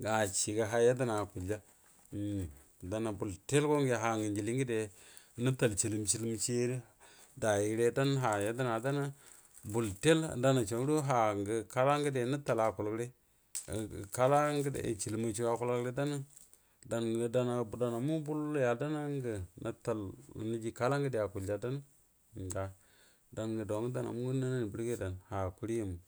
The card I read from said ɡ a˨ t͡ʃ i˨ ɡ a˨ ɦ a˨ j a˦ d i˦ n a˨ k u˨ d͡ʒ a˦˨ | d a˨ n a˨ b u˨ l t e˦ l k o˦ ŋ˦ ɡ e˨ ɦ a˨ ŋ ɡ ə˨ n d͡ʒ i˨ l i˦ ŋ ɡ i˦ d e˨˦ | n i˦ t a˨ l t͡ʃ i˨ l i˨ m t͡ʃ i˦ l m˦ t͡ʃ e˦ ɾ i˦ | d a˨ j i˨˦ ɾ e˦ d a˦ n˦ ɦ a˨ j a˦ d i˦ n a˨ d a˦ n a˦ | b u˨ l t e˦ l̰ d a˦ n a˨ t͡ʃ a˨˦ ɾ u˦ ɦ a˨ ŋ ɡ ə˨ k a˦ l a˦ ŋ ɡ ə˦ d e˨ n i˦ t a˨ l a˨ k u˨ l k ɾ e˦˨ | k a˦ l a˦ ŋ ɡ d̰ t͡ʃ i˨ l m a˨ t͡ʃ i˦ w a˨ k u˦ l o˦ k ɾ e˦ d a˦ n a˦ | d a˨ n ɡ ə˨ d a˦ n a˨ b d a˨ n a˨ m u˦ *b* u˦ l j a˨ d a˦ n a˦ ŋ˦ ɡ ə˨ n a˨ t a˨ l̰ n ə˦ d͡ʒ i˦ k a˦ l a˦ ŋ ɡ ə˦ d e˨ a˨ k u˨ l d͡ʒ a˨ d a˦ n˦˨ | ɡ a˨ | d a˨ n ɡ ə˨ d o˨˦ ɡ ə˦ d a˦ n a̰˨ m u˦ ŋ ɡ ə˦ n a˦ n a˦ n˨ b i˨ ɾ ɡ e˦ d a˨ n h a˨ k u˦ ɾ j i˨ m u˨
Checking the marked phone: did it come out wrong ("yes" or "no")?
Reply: no